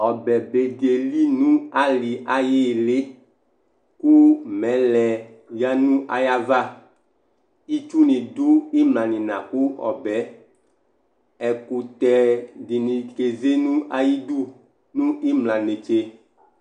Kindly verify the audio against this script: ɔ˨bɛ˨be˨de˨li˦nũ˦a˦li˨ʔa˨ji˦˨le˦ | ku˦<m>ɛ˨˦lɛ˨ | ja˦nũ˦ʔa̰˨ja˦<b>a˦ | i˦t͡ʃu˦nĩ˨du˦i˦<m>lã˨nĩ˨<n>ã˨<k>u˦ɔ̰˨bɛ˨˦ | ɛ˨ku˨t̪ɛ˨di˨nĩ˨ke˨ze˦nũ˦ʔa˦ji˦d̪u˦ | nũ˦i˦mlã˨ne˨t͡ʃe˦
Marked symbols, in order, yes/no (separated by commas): yes, no, yes, yes, yes